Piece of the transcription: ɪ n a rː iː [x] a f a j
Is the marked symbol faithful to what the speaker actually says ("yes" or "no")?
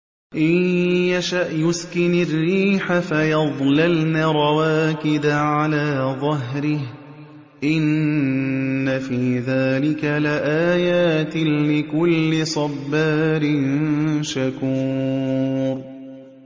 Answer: no